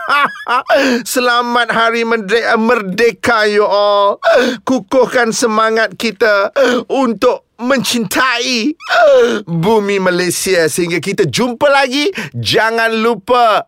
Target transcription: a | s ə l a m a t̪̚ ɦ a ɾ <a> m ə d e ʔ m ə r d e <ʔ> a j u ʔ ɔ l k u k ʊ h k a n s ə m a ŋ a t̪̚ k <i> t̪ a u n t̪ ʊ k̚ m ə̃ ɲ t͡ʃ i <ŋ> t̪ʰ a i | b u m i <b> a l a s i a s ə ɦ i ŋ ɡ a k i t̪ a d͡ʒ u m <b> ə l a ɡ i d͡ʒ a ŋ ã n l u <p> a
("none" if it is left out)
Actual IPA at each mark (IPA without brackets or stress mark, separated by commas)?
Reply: i, k, i, n, m, p, p